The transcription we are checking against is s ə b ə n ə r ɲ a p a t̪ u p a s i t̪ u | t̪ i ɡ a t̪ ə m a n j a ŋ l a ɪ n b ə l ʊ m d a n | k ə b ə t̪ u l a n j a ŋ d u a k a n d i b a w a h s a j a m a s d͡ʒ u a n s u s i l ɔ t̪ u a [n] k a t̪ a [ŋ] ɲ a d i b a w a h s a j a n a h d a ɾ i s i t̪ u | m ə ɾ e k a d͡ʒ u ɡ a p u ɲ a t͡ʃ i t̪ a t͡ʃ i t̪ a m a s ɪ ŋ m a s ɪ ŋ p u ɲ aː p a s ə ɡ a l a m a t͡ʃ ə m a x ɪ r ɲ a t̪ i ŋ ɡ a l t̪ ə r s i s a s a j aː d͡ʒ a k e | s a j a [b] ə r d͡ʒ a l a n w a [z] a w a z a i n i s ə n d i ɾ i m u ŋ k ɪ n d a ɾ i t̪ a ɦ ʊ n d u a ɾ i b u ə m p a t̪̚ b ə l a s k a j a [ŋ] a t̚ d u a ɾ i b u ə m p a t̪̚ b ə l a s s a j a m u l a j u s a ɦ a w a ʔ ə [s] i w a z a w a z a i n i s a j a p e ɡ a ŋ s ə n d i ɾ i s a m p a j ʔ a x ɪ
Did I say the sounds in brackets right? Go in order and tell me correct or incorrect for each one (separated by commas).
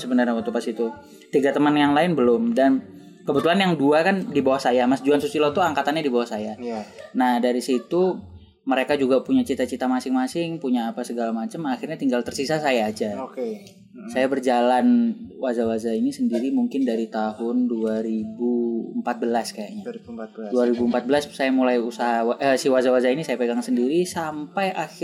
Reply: incorrect, incorrect, correct, correct, incorrect, correct